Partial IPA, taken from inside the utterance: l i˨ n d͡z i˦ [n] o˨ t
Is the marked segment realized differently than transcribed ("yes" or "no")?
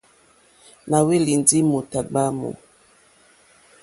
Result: yes